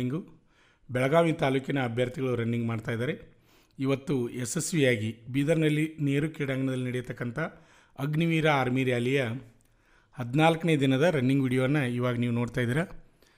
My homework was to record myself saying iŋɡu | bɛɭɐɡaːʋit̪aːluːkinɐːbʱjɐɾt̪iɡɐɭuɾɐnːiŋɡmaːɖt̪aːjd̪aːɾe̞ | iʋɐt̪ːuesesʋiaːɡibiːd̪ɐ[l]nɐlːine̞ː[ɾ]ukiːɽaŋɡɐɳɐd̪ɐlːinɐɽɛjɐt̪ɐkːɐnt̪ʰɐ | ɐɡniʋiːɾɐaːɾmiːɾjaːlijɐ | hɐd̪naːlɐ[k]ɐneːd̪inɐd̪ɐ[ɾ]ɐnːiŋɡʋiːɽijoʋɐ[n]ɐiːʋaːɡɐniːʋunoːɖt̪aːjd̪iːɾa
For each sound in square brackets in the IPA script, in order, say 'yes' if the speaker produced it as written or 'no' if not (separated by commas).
no, yes, yes, yes, no